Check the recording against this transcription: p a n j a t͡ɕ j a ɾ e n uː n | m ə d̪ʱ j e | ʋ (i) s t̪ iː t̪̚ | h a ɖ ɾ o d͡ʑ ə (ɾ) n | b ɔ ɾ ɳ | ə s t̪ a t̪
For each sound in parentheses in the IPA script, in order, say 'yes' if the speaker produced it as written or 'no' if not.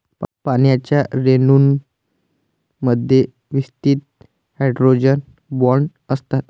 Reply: yes, no

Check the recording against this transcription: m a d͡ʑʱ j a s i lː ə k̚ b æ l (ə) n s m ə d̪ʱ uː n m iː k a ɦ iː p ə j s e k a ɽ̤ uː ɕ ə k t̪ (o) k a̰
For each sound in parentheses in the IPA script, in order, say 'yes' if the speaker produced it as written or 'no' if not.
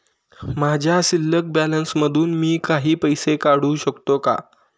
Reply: yes, yes

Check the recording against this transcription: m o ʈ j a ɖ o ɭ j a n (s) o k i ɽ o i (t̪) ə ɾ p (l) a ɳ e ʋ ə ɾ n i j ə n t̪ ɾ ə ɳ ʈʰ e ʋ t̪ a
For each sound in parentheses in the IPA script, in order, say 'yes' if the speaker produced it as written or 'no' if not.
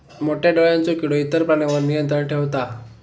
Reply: no, yes, no

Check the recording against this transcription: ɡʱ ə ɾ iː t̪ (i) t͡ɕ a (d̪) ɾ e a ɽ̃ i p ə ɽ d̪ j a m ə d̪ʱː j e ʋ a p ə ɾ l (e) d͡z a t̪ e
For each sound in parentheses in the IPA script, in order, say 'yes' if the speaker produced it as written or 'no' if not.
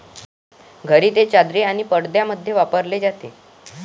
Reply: no, yes, yes

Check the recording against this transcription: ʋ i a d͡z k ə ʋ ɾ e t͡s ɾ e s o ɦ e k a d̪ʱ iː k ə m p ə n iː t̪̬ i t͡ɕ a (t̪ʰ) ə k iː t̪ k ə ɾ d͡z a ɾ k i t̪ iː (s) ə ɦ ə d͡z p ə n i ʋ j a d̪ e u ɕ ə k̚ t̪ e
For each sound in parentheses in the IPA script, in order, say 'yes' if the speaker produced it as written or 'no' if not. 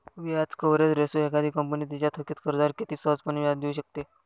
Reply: yes, yes

